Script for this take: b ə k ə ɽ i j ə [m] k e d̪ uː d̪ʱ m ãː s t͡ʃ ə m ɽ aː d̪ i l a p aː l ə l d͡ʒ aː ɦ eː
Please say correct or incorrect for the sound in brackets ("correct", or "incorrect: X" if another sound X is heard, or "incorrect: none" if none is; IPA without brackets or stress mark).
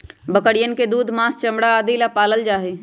incorrect: n